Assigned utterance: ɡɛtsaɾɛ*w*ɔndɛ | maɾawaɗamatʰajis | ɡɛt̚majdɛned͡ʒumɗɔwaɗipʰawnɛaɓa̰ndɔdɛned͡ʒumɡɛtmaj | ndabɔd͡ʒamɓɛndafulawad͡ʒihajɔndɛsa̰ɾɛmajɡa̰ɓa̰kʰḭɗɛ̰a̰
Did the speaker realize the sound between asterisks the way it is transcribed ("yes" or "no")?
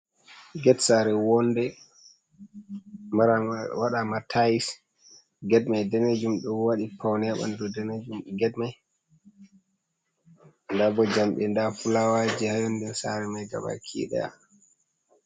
yes